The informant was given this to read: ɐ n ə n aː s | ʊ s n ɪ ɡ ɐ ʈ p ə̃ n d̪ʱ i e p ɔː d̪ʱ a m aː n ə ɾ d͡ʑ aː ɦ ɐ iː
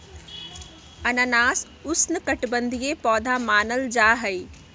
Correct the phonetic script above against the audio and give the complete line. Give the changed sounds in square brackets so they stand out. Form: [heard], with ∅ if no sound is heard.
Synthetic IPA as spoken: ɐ n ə n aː s | ʊ s n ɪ [k] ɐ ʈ [b] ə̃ n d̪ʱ i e p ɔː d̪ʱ a m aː n ə [l] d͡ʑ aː ɦ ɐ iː